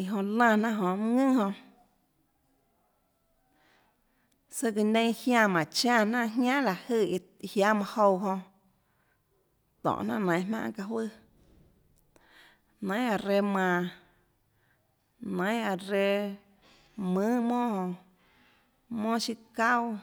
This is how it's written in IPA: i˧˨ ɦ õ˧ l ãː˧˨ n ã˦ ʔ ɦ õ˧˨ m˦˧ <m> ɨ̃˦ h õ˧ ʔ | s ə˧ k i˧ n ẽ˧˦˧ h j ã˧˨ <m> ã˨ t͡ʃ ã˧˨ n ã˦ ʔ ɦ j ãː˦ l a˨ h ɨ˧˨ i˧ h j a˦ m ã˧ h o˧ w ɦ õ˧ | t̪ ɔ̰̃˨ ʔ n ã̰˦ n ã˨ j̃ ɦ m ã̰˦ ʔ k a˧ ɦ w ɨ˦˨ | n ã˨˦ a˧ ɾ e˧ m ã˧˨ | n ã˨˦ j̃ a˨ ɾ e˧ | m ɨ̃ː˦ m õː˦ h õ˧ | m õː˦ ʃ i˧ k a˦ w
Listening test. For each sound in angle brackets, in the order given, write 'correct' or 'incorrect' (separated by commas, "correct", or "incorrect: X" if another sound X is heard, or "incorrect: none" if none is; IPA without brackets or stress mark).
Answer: incorrect: ŋ, correct